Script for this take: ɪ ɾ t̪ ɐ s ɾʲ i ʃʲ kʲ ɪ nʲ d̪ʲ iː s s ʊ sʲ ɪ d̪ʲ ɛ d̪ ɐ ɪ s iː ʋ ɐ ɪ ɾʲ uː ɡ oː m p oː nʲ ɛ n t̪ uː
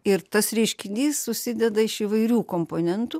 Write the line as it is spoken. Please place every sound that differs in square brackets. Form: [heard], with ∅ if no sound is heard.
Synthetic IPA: ɪ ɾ t̪ ɐ s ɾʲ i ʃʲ kʲ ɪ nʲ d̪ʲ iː s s ʊ sʲ ɪ d̪ʲ ɛ d̪ ɐ ɪ [ʃ] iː ʋ ɐ ɪ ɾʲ uː [k] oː m p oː nʲ ɛ n t̪ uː